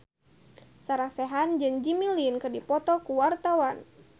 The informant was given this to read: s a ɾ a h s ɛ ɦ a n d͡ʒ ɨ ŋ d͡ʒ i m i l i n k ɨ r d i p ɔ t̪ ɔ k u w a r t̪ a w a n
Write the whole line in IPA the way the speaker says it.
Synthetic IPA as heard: s a ɾ a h s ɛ ɦ a n d͡ʒ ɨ ŋ d͡ʒ i m i l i n k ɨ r d i p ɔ t̪ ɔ k u w a r t̪ a w a n